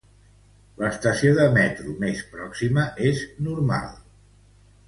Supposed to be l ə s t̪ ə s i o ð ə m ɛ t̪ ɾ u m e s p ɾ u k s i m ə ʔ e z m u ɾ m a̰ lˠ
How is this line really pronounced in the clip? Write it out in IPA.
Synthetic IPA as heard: l ə s t̪ ə s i o ð ə m ɛ t̪ ɾ u m e s p ɾ ɔ k s i m ə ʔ e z n u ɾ m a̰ lˠ